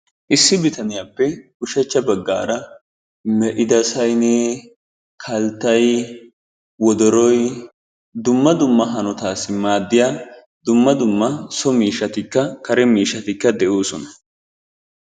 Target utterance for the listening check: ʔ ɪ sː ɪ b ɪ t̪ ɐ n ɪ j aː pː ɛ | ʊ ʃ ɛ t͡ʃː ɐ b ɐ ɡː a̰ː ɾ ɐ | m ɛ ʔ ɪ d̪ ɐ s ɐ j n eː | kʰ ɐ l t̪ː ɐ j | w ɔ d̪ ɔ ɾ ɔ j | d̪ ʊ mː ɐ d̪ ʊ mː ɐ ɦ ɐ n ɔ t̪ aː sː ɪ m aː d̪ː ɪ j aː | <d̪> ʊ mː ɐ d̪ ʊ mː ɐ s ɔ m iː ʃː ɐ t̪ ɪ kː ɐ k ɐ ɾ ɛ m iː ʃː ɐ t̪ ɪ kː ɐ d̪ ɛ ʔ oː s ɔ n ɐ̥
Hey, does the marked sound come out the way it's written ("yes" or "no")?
yes